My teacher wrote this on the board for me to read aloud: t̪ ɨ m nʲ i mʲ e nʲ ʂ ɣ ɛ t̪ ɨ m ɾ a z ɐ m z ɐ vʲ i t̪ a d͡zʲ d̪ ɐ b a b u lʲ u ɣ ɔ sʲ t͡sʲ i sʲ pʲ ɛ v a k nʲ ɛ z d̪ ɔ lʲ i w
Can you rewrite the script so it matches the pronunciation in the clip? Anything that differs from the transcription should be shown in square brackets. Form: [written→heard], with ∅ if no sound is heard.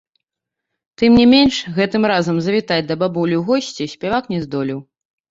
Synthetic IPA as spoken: t̪ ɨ m nʲ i mʲ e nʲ ʂ ɣ ɛ t̪ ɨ m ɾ a z ɐ m z ɐ vʲ i t̪ a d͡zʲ d̪ ɐ b a b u lʲ u ɣ ɔ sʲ t͡sʲ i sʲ pʲ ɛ v a k nʲ ɛ z d̪ ɔ lʲ i w

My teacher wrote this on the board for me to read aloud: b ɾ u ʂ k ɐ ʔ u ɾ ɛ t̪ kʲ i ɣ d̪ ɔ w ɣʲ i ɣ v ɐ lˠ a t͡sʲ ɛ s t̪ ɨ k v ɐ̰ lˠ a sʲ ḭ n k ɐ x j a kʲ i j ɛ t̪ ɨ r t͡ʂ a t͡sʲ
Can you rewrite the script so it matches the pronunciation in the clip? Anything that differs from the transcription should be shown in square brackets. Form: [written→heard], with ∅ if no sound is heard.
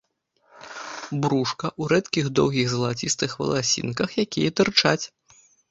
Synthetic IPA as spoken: b ɾ u ʂ k ɐ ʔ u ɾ ɛ t̪ kʲ i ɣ d̪ ɔ w ɣʲ i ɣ [v→z] ɐ lˠ a t͡sʲ [ɛ→i] s t̪ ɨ [k→x] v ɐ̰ lˠ a sʲ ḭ n k ɐ x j a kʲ i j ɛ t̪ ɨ r t͡ʂ a t͡sʲ

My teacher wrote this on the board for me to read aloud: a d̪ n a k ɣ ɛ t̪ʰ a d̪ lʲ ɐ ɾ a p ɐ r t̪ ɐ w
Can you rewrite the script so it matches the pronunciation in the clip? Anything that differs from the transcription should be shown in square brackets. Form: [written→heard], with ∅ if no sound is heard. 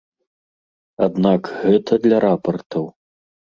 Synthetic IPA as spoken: a d̪ n a k ɣ ɛ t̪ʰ [a→ɐ] d̪ lʲ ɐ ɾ a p ɐ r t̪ ɐ w

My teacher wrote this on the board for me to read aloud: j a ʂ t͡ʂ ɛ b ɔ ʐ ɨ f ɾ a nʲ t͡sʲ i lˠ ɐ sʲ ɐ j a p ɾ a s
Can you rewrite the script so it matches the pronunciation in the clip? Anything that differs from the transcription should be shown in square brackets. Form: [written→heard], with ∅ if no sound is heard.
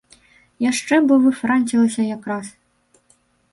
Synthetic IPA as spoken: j a ʂ t͡ʂ ɛ b ɔ [ʐ→v] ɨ f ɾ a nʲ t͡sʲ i lˠ ɐ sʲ ɐ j a [p→k] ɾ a s

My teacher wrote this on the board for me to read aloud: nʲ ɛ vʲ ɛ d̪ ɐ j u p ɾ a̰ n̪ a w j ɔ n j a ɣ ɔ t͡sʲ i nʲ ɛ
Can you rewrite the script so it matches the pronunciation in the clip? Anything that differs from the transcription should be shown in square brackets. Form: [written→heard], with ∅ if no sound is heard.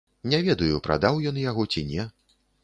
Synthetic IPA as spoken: nʲ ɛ vʲ ɛ d̪ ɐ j u p ɾ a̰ [n̪→d̪] a w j ɔ n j a ɣ ɔ t͡sʲ i nʲ ɛ

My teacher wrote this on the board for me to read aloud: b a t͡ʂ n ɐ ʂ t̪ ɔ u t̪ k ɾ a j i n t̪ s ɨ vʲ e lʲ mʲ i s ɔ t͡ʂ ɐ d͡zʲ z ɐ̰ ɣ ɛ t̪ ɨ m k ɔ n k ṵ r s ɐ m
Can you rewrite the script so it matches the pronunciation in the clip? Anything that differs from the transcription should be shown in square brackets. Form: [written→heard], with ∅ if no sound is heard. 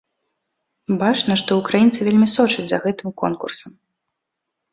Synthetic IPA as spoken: b a t͡ʂ n ɐ ʂ t̪ ɔ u [t̪→∅] k ɾ a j i n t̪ s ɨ vʲ e lʲ mʲ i s ɔ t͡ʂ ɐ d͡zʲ z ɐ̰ ɣ ɛ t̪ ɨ m k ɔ n k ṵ r s ɐ m

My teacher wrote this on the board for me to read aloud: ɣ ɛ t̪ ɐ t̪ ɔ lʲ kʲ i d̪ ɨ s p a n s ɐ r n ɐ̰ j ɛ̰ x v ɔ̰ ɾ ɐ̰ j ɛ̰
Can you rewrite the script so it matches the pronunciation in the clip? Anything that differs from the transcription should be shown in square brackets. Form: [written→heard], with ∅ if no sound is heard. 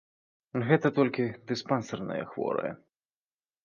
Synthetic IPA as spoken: ɣ ɛ t̪ ɐ t̪ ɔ lʲ kʲ i d̪ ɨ s p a n s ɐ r n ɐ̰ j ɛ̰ x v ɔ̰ ɾ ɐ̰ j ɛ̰

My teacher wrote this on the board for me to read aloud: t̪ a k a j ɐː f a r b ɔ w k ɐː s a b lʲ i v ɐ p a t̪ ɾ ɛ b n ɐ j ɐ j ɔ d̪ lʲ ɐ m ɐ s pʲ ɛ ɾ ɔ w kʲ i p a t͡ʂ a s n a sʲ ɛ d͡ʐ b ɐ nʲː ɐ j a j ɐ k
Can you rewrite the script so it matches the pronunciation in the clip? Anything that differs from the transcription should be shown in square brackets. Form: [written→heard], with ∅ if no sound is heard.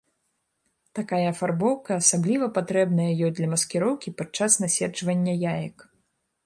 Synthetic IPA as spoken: t̪ a k a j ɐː f a r b ɔ w k ɐː s a b lʲ i v ɐ p a t̪ ɾ ɛ b n ɐ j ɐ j ɔ d̪ lʲ ɐ m ɐ s [pʲ→kʲ] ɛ ɾ ɔ w kʲ i p a t͡ʂ a s n a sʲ ɛ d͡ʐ [b→v] ɐ nʲː ɐ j a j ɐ k

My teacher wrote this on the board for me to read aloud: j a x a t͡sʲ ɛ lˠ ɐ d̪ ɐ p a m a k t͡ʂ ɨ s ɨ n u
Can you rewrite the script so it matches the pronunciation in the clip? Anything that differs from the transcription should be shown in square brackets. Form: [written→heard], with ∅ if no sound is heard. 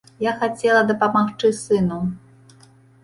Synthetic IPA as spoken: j a x a t͡sʲ ɛ lˠ ɐ d̪ ɐ p a m a [k→x] t͡ʂ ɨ s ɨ n u

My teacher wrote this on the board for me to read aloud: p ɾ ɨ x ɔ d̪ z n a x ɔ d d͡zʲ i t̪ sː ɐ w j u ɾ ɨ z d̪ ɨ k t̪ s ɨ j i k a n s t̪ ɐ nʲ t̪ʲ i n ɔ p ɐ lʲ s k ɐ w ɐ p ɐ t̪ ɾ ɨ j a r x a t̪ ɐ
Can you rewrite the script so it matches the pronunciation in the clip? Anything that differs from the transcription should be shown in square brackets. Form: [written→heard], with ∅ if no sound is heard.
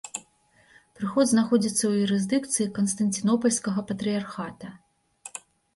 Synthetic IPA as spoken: p ɾ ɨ x ɔ d̪ z n a x ɔ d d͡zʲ i t̪ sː ɐ w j u ɾ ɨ z d̪ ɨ k t̪ s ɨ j i k [a→ɐ] n s t̪ ɐ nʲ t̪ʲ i n ɔ p ɐ lʲ s k ɐ [w→ɣ] ɐ p ɐ t̪ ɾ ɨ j a r x a t̪ ɐ

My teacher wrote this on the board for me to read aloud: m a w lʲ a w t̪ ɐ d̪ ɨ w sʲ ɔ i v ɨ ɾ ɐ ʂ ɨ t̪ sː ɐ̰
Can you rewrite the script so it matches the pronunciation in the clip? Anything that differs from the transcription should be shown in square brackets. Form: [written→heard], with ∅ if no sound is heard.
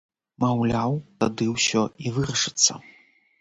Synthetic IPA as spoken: m a w lʲ a w t̪ [ɐ→a] d̪ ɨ w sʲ ɔ i v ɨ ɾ ɐ ʂ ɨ t̪ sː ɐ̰

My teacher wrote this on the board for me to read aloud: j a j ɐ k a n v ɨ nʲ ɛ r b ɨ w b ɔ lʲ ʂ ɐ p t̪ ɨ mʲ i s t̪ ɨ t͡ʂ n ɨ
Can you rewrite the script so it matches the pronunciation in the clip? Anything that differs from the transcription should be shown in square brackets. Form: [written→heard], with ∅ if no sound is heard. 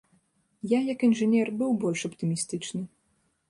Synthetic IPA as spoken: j a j ɐ k [a→i] n [v→ʐ] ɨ nʲ ɛ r b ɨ w b ɔ lʲ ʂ ɐ p t̪ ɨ mʲ i s t̪ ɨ t͡ʂ n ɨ

